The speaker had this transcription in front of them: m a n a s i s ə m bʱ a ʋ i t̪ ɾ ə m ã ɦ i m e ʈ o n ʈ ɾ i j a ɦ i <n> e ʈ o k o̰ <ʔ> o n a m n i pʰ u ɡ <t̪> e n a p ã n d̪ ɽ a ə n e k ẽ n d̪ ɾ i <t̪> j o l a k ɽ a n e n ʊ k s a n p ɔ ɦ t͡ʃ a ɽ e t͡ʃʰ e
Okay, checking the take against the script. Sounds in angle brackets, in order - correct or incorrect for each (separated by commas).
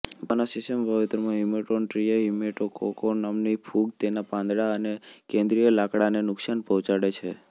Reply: incorrect, incorrect, correct, incorrect